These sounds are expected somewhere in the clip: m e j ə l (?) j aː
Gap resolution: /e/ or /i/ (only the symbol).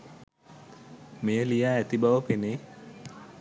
i